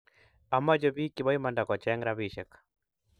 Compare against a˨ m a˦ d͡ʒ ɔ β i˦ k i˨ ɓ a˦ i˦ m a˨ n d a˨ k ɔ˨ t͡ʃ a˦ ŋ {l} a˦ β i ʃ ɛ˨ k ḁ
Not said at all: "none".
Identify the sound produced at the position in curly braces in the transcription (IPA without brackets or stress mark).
ɾ